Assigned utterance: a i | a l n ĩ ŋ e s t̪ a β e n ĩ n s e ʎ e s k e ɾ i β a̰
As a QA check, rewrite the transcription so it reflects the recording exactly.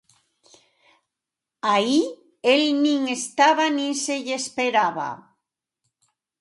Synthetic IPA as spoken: a i | e l n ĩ ŋ e s t̪ a β a n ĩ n s e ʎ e s p e ɾ a β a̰